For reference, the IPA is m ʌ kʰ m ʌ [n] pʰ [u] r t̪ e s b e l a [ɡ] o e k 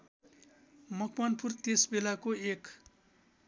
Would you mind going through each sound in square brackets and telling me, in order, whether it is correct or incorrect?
correct, correct, incorrect: k

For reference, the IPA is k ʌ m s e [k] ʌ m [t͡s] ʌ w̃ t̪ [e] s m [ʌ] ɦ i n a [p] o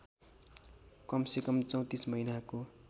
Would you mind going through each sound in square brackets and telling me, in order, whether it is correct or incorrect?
correct, correct, incorrect: i, correct, incorrect: k

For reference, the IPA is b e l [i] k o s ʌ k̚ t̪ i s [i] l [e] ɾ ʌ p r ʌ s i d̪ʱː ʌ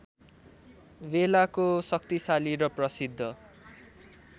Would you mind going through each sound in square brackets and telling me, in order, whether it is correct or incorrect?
incorrect: a, incorrect: a, incorrect: i

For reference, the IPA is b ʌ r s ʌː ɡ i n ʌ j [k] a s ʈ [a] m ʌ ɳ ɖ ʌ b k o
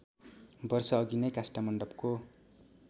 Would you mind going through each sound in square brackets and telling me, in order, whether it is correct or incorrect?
correct, correct

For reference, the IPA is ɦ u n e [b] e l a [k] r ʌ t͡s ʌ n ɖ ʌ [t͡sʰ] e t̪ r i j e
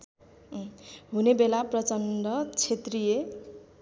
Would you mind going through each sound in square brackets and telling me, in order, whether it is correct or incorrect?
correct, incorrect: p, correct

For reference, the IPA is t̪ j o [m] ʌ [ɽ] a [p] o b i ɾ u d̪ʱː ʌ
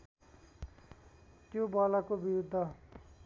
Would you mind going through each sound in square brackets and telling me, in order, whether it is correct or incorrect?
incorrect: b, incorrect: l, incorrect: k

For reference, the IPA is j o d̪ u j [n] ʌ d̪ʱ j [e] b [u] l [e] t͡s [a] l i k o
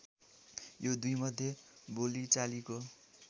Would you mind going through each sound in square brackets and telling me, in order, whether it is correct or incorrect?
incorrect: m, correct, incorrect: o, incorrect: i, correct

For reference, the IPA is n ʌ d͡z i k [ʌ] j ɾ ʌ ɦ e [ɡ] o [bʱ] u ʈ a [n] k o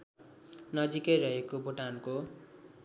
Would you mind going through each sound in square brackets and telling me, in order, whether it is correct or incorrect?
correct, incorrect: k, correct, correct

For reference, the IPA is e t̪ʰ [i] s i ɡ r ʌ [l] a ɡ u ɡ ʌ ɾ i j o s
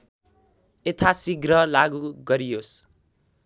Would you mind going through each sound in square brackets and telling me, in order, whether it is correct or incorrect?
incorrect: a, correct

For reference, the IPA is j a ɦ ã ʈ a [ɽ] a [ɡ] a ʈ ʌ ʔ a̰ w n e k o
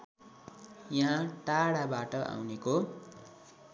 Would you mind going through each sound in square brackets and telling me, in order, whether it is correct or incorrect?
correct, incorrect: b

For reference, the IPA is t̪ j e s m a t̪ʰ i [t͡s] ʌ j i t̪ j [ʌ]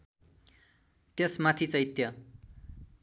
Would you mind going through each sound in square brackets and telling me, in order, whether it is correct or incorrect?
correct, correct

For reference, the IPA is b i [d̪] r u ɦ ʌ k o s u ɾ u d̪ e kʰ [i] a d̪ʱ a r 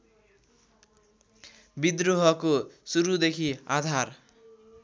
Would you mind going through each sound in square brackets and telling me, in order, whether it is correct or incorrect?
correct, correct

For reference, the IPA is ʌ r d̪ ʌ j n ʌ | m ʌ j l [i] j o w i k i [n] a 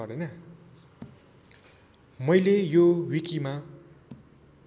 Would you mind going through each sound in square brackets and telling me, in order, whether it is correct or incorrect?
incorrect: e, incorrect: m

